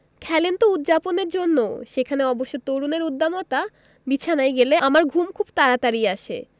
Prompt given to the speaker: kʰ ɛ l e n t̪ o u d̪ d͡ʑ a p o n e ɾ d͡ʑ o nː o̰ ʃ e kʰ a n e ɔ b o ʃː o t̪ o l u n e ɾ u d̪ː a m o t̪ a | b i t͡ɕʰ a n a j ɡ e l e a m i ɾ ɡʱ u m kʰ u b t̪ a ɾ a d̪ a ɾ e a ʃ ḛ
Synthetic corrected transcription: kʰ ɛ l e n t̪ o u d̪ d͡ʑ a p o n e ɾ d͡ʑ o nː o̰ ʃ e kʰ a n e ɔ b o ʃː o t̪ o ɾ u n e ɾ u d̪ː a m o t̪ a | b i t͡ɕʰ a n a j ɡ e l e a m a ɾ ɡʱ u m kʰ u b t̪ a ɾ a t̪ a ɾ i a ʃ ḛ